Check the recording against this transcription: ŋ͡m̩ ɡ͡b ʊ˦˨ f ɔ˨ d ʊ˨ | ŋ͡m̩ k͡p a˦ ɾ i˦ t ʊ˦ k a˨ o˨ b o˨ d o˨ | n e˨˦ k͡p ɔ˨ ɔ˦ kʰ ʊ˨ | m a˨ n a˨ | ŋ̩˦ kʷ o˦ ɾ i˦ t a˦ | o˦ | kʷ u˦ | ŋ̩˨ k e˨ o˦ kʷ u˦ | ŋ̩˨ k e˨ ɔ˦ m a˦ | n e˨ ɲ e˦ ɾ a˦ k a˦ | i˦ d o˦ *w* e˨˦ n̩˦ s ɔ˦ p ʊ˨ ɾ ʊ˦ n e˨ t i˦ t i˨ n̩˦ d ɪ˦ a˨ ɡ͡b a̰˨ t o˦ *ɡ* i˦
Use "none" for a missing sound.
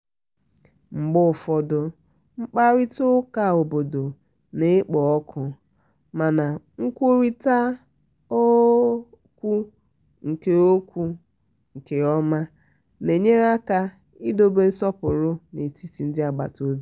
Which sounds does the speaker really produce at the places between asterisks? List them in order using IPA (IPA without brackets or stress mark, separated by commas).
b, b